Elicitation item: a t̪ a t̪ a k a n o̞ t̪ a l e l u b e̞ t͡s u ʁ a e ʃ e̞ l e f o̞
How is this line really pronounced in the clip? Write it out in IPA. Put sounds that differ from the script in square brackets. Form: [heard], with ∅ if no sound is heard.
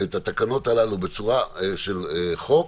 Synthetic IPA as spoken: [e] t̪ a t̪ a k a n o̞ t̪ a l [a] l u b e̞ t͡s u ʁ a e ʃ e̞ l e [χ] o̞